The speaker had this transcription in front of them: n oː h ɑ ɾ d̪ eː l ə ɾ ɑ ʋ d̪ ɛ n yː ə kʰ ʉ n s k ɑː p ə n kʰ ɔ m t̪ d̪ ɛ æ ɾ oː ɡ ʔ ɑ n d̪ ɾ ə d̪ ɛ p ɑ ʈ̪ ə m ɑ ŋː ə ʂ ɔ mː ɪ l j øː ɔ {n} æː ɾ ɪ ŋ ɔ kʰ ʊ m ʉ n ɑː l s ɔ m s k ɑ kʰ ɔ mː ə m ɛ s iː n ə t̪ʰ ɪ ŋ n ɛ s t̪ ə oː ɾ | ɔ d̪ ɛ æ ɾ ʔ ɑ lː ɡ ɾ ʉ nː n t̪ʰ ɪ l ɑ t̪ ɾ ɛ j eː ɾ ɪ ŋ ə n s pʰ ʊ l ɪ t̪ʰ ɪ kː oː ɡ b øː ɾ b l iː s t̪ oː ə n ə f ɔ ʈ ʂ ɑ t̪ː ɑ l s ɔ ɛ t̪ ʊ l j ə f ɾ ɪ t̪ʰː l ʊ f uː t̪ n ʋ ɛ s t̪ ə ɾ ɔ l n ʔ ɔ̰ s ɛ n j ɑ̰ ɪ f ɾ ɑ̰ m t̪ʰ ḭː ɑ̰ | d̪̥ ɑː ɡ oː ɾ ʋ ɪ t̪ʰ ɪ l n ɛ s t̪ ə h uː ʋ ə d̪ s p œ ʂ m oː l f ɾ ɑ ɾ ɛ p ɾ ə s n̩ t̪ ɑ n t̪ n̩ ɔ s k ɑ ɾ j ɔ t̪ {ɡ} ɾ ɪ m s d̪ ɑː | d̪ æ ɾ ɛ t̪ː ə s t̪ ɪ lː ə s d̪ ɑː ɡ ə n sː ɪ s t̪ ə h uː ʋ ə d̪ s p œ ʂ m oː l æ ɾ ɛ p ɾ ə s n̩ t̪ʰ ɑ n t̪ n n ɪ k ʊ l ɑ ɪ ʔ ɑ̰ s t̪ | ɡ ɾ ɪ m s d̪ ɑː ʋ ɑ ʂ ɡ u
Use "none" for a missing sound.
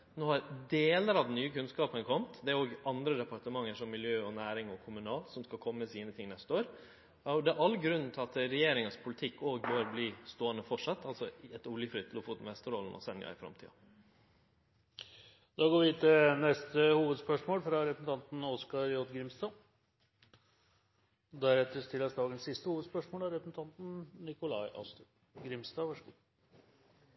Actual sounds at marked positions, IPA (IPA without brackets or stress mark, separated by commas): n, ɡ